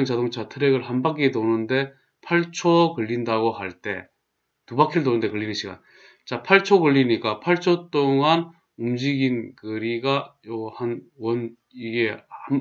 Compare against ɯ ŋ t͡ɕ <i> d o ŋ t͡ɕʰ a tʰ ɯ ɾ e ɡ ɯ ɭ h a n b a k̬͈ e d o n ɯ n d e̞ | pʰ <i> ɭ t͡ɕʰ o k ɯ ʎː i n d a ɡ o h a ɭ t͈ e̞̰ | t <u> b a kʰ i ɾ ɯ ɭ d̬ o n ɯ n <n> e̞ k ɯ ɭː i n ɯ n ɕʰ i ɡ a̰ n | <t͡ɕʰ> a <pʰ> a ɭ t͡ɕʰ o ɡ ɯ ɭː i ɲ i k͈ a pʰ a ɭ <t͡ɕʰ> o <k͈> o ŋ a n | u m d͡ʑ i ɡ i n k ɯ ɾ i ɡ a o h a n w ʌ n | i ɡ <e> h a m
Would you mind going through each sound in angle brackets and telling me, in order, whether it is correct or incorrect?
incorrect: a, incorrect: a, correct, incorrect: d, incorrect: t͡ɕ, correct, correct, incorrect: t͈, correct

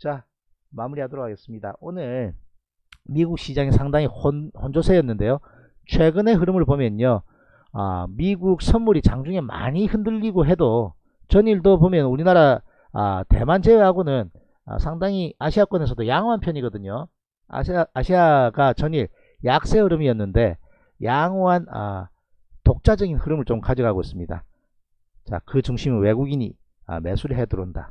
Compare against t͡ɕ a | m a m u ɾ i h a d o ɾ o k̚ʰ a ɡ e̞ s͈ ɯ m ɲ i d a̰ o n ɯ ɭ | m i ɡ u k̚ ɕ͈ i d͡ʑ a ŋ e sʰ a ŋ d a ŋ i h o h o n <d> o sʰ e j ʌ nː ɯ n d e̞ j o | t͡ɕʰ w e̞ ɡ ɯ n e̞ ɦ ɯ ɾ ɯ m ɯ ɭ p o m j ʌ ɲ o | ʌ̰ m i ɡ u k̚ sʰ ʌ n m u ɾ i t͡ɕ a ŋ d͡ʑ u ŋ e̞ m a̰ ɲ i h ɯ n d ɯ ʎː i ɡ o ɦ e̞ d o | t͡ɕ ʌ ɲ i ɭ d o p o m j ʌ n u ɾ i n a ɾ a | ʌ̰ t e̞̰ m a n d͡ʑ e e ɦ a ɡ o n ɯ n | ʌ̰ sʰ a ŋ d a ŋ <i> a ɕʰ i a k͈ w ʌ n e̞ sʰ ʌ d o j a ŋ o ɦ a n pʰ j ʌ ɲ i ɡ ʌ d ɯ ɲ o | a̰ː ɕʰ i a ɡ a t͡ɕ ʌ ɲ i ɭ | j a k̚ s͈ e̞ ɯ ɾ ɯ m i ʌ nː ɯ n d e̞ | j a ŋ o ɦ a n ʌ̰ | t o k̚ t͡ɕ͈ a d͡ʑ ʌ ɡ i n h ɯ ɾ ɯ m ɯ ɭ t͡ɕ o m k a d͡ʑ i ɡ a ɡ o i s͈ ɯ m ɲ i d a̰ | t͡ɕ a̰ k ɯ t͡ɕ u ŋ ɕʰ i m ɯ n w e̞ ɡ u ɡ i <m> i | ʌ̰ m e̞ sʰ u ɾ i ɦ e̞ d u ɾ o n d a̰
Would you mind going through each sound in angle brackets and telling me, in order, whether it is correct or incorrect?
incorrect: d͡ʑ, correct, incorrect: ɲ

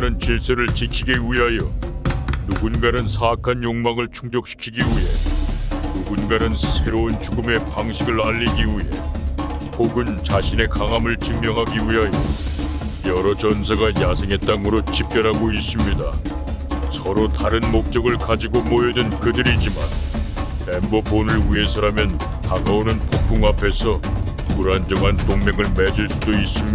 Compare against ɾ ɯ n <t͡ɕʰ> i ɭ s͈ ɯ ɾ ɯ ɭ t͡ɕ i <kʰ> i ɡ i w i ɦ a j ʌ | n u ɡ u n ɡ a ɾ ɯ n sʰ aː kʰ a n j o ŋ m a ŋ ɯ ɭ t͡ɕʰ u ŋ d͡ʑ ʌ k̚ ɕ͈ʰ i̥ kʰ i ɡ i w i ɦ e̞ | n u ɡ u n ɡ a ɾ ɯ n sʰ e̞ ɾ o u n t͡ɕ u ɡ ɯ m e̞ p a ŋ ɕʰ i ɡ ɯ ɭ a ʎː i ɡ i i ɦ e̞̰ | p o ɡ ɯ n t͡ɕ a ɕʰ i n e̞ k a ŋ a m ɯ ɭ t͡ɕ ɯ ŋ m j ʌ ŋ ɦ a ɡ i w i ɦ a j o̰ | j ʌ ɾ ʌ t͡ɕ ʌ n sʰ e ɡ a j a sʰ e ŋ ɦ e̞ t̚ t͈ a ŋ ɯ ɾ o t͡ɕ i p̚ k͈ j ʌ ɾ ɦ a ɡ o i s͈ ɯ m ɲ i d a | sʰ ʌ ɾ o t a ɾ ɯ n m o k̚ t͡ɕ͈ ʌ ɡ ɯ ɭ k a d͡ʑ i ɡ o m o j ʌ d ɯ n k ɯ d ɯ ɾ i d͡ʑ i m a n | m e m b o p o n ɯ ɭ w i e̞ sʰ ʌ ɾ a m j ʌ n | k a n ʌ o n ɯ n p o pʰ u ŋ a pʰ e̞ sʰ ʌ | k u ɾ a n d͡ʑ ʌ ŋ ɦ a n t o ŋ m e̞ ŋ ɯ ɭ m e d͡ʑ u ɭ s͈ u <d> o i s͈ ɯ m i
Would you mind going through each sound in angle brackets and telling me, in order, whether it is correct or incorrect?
incorrect: t͡ɕ, correct, correct

